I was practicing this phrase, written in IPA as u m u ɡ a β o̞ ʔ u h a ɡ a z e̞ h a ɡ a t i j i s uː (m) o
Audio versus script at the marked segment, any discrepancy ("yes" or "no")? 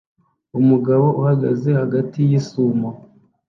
no